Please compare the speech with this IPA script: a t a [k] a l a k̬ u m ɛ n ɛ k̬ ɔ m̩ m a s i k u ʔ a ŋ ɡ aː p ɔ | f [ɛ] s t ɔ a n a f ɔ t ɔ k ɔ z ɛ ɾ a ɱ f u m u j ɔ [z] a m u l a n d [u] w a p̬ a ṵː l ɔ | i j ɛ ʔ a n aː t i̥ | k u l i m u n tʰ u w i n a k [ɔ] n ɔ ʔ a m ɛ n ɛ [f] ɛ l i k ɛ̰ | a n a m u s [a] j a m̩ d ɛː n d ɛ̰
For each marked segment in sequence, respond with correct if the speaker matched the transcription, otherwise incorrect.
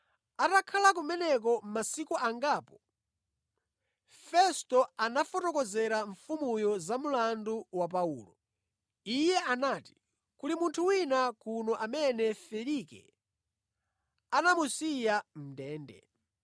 incorrect, correct, correct, correct, incorrect, correct, incorrect

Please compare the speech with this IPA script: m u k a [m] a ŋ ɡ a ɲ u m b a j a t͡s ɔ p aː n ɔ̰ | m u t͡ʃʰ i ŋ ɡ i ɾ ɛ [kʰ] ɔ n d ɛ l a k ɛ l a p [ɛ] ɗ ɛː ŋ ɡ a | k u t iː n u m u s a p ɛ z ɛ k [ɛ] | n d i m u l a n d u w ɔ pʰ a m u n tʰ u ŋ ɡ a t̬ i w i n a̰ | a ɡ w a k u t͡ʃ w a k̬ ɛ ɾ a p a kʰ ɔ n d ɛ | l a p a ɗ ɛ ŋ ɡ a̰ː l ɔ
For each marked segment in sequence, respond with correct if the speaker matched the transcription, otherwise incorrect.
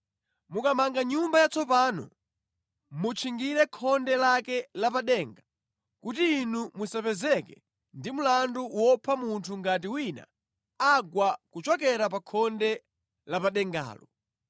correct, correct, incorrect, correct

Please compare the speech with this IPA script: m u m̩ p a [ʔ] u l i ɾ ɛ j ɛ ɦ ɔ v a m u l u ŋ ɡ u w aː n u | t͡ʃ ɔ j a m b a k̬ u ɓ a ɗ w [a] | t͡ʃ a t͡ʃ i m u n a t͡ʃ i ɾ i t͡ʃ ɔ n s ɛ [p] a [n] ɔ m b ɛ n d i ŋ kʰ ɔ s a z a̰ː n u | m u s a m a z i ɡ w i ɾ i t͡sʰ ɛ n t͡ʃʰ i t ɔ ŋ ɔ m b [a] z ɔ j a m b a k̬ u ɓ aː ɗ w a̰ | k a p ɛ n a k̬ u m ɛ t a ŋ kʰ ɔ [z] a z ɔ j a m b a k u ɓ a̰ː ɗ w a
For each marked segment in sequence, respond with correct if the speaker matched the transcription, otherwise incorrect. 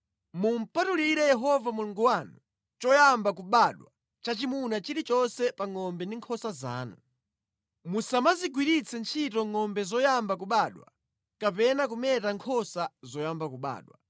incorrect, correct, correct, incorrect, incorrect, incorrect

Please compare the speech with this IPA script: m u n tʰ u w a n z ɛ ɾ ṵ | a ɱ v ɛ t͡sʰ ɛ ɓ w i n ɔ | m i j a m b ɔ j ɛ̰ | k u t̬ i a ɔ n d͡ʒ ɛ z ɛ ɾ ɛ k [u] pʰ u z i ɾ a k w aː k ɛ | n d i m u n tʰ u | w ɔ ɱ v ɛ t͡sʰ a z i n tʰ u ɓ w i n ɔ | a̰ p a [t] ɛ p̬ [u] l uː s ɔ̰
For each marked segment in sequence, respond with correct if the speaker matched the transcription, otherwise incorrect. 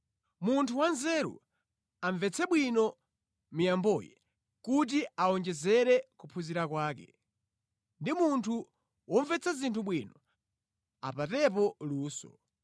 correct, correct, incorrect

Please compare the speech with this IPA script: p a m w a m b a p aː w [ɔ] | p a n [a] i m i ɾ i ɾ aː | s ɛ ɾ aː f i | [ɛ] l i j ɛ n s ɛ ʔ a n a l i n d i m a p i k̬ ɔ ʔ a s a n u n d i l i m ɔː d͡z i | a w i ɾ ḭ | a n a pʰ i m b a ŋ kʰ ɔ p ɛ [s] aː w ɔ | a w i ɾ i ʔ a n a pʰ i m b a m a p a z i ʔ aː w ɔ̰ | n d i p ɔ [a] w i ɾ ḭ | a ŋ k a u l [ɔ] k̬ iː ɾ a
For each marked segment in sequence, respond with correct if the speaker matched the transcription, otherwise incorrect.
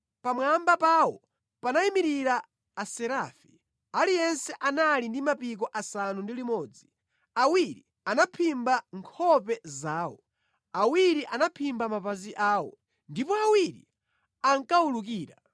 correct, correct, incorrect, incorrect, correct, incorrect

